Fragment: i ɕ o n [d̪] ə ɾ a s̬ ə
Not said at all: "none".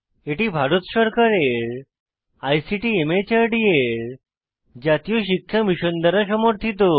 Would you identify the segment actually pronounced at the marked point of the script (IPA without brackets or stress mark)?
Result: d̪